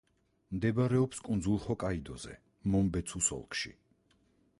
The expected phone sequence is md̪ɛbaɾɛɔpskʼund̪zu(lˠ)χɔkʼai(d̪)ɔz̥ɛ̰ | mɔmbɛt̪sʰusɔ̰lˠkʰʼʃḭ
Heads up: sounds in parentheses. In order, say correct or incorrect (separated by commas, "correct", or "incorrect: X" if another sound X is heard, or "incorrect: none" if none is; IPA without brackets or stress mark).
correct, correct